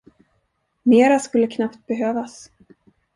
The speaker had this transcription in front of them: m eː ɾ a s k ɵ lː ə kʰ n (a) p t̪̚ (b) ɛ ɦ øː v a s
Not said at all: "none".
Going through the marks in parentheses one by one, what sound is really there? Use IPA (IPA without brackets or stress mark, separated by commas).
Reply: a, b